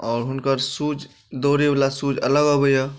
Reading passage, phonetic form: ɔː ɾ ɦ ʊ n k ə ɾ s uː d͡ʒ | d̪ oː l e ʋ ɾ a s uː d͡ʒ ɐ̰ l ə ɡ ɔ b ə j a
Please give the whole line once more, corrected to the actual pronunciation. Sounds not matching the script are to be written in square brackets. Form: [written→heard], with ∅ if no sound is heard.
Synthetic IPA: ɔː ɾ ɦ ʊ n k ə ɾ s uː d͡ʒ | d̪ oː [l→ɾ] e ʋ [ɾ→l] a s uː d͡ʒ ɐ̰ l ə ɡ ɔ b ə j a